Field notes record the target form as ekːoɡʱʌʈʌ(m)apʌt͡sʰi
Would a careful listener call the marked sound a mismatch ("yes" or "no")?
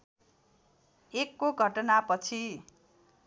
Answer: yes